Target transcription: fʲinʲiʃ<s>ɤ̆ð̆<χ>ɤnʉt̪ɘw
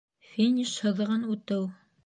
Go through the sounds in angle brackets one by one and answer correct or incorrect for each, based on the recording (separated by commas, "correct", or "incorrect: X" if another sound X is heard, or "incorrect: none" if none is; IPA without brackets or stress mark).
incorrect: h, incorrect: ʁ